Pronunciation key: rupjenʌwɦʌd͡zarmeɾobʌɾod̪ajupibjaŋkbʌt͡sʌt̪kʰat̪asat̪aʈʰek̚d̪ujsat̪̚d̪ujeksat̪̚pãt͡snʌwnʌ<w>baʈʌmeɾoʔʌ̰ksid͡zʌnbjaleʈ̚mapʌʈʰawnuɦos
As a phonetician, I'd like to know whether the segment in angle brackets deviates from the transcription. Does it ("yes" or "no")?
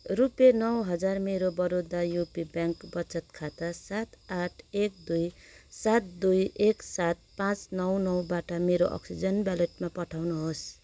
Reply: no